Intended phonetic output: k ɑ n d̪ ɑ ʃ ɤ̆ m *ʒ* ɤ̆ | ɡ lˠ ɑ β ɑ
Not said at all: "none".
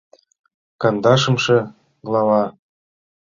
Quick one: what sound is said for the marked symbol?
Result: ʃ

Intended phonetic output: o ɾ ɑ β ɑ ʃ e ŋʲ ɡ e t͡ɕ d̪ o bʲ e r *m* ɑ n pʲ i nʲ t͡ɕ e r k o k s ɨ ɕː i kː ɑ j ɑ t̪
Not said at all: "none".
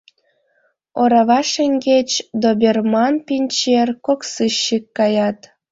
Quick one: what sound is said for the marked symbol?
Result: m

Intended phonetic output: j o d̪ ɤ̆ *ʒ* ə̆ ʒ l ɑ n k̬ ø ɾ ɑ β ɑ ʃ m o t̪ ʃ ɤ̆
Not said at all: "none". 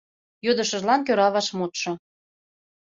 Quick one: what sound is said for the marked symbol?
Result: ʃ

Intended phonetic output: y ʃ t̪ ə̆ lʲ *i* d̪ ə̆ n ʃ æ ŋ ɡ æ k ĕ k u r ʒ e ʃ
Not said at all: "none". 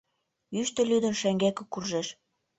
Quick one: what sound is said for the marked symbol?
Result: y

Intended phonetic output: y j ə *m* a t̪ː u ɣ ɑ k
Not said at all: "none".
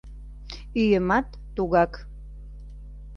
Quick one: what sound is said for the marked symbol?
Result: m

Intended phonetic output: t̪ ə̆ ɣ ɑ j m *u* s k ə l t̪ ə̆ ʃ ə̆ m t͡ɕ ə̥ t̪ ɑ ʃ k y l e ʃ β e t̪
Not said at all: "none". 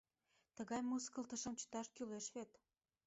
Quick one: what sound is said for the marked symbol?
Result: u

